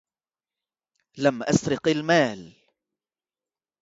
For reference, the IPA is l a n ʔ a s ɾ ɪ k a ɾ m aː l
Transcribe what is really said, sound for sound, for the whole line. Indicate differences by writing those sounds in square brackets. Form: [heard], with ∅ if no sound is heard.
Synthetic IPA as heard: l a [m] ʔ a s ɾ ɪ [q] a [l] m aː l

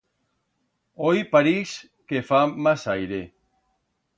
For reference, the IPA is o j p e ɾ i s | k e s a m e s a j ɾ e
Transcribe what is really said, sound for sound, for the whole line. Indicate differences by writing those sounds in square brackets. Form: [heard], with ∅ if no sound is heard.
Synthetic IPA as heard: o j p [a] ɾ i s | k e [f] a m [a] s a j ɾ e

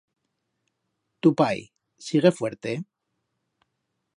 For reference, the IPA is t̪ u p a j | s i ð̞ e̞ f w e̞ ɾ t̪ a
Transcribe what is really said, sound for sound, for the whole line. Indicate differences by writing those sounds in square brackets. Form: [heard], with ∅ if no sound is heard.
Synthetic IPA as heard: t̪ u p a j | s i [ɣ̞] e̞ f w e̞ ɾ t̪ [e]

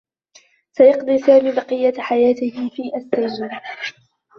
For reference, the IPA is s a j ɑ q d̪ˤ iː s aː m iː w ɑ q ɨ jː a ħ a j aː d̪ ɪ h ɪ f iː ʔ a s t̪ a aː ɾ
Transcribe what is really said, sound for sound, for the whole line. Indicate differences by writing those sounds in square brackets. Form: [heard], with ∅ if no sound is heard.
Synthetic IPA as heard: s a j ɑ q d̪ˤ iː s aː m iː [b] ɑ q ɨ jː a ħ a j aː [t̪] ɪ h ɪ f iː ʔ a s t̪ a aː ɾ

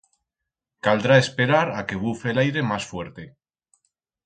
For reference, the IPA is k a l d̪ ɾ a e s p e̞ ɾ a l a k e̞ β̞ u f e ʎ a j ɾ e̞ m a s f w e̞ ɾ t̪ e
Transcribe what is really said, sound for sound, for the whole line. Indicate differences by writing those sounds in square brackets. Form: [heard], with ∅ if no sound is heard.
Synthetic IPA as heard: k a l d̪ ɾ a e s p e̞ ɾ a [ɾ] a k e̞ β̞ u f e [l] a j ɾ e̞ m a s f w e̞ ɾ t̪ e

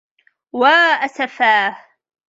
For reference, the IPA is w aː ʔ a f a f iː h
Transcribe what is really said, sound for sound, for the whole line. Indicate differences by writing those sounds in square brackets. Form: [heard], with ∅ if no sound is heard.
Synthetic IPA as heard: w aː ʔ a [s] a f [aː] h

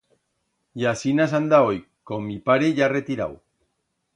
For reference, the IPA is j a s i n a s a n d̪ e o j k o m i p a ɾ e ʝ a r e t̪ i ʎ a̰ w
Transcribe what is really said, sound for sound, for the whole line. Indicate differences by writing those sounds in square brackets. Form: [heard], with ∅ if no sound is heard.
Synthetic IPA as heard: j a s i n a s a n d̪ [a] o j k o m i p a ɾ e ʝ a r e t̪ i [ɾ] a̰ w

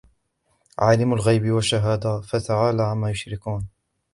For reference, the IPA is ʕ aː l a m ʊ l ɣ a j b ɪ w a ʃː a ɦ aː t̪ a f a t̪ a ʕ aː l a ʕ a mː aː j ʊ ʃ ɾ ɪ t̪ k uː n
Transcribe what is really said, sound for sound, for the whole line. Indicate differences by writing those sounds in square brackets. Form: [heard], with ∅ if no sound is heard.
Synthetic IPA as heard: ʕ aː l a m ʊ l ɣ a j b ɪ w a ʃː a ɦ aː [d̪] a f a t̪ a ʕ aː l a ʕ a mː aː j ʊ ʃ ɾ ɪ [∅] k uː n

